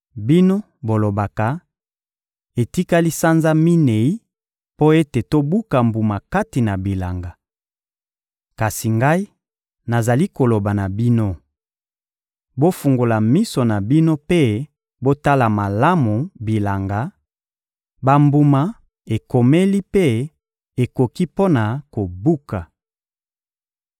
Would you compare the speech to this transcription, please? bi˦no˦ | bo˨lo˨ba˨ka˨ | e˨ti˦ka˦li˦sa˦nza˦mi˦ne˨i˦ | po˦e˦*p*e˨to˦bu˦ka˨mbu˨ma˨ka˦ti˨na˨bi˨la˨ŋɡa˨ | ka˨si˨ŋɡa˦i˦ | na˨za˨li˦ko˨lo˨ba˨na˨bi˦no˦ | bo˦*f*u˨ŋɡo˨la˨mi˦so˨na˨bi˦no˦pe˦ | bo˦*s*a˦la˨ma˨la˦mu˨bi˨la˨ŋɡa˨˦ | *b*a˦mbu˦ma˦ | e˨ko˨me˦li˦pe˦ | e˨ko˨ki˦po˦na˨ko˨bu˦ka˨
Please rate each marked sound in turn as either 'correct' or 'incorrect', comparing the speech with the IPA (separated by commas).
incorrect, correct, incorrect, correct